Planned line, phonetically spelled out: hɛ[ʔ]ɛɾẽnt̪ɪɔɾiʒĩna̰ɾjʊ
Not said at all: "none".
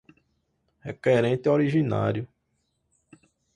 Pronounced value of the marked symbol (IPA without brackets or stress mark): k